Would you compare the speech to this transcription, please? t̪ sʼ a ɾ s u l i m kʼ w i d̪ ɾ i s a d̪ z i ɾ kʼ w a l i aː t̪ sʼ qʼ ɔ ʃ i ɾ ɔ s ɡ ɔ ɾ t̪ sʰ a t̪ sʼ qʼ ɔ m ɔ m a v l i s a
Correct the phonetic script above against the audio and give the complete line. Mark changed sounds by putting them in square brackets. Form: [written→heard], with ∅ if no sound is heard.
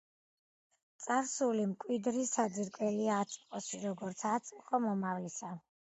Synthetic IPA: t̪ sʼ a ɾ s u l i m kʼ w i d̪ ɾ i s a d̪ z i ɾ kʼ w [a→ɛ] l i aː t̪ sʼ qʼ ɔ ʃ i ɾ ɔ [s→∅] ɡ ɔ ɾ t̪ sʰ a t̪ sʼ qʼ ɔ m ɔ m a v l i s a